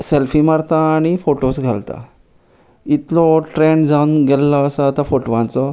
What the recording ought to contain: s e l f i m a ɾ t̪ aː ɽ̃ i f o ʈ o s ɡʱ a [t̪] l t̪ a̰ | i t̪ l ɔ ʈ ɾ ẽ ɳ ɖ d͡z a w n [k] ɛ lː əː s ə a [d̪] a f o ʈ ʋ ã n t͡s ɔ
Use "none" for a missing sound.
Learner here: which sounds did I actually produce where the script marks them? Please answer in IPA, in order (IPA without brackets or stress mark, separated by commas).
none, ɡ, t̪